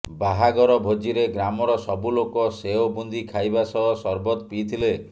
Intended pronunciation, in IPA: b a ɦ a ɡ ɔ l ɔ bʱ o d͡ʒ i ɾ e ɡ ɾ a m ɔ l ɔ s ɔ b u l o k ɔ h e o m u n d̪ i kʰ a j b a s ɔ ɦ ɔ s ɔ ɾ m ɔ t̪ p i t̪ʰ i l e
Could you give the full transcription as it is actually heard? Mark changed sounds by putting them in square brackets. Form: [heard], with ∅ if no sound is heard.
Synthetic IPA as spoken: b a ɦ a ɡ ɔ [ɾ] ɔ bʱ o d͡ʒ i ɾ e ɡ ɾ a m ɔ [ɾ] ɔ s ɔ b u l o k ɔ [s] e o [b] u n d̪ i kʰ a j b a s ɔ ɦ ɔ s ɔ ɾ [b] ɔ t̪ p i t̪ʰ i l e